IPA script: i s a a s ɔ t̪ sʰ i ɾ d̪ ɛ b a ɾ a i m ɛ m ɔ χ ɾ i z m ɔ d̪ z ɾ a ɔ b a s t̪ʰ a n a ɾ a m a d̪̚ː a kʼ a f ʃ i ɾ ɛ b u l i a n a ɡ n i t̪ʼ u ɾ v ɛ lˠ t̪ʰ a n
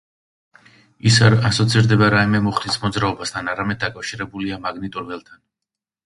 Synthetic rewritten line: i s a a s ɔ t̪ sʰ i ɾ d̪ ɛ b a ɾ a i m ɛ m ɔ χ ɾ i s m ɔ d̪ z ɾ a ɔ b a s t̪ʰ a n a ɾ a m ɛ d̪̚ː a kʼ a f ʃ i ɾ ɛ b u l i a m a ɡ n i t̪ʼ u ɾ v ɛ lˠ t̪ʰ a n